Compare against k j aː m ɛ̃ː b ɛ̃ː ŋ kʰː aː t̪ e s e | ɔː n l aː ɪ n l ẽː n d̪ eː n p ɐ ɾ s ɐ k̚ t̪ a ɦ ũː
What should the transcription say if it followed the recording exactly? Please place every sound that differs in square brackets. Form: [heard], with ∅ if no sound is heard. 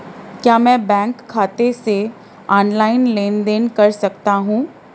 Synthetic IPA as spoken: k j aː m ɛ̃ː b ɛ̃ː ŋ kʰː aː t̪ e s e | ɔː n l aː ɪ n l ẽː n d̪ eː n [k] ɐ ɾ s ɐ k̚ t̪ a ɦ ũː